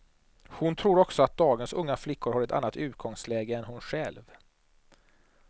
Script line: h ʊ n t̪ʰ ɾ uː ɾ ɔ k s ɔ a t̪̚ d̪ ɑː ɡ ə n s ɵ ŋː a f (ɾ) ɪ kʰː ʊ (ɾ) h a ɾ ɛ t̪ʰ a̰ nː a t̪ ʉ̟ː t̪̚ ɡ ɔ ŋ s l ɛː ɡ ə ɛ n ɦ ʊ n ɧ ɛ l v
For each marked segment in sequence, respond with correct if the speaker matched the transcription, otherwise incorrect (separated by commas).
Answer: incorrect, correct